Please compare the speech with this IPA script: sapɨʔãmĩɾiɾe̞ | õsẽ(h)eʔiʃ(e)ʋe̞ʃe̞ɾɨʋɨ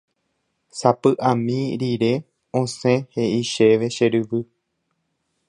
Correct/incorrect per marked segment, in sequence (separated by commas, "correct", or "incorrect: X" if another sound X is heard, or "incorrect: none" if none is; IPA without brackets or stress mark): correct, correct